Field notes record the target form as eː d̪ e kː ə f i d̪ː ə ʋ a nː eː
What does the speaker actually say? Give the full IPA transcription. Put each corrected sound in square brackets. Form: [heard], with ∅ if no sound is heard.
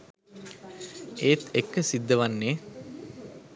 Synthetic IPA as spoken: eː [t̪] e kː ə [s] i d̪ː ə ʋ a nː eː